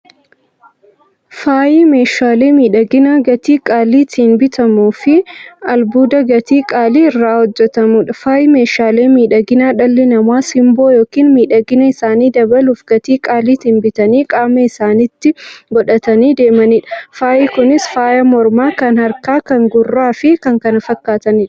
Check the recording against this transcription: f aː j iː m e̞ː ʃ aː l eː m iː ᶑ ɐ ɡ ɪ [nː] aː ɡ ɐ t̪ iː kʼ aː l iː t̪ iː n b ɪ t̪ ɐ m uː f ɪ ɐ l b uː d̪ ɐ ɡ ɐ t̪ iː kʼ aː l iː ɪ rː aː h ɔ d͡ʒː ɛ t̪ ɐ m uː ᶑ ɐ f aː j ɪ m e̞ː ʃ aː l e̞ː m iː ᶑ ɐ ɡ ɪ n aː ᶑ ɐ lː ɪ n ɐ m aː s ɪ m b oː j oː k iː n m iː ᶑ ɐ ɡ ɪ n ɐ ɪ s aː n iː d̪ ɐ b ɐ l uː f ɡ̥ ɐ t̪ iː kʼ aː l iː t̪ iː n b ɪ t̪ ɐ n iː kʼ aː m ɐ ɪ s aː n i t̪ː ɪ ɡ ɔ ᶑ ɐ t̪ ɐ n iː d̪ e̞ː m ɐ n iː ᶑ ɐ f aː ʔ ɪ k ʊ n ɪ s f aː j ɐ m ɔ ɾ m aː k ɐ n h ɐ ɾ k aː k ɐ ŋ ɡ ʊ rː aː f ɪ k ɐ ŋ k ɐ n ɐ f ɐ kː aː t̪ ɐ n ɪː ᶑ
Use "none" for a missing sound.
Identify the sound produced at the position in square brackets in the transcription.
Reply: n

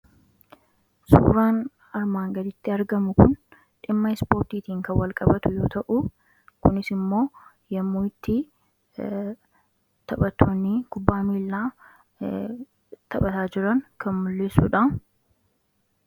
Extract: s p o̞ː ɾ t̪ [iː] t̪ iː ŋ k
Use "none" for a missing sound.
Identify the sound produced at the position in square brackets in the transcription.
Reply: iː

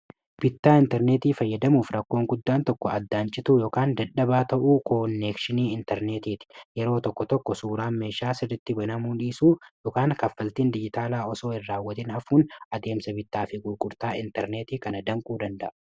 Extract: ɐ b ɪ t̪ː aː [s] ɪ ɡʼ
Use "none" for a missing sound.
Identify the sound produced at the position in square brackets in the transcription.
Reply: f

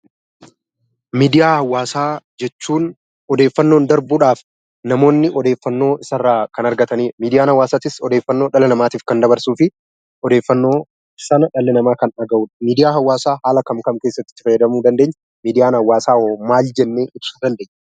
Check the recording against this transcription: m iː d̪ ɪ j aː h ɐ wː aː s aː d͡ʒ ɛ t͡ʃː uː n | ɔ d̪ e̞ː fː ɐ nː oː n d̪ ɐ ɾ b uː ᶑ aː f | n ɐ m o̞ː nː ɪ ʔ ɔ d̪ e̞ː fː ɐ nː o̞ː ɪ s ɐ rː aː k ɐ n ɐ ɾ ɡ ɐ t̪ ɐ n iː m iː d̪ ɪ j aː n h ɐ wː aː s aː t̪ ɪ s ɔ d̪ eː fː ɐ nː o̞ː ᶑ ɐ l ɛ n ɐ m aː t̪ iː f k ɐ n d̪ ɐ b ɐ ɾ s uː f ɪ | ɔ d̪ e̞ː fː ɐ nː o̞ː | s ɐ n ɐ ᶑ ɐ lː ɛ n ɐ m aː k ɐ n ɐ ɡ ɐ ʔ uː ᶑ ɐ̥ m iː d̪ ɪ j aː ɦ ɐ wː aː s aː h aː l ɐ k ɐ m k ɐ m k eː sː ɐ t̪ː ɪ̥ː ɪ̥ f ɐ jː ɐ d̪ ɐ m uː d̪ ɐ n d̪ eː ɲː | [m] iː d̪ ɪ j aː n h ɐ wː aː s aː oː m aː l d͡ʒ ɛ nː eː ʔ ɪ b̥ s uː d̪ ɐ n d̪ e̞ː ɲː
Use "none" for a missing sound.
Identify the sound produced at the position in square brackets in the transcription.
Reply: m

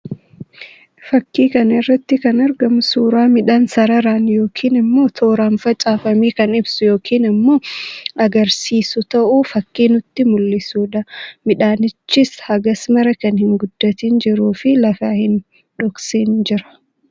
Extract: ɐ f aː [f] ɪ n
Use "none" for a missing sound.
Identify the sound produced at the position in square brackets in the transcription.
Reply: h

